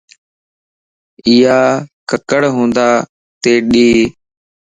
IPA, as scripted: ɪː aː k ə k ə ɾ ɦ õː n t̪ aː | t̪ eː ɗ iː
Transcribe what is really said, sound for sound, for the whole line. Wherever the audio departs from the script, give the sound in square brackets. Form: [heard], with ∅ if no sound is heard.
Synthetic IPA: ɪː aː k ə k ə [ɽ] ɦ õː n [d̪] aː | t̪ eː ɗ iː